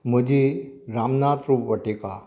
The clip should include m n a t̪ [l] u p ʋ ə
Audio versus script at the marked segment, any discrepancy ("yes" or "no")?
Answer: yes